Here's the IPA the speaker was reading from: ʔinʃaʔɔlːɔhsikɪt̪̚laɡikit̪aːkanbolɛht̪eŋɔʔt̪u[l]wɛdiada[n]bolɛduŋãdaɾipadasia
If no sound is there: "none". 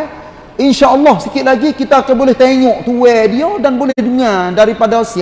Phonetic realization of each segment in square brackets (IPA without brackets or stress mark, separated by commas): none, n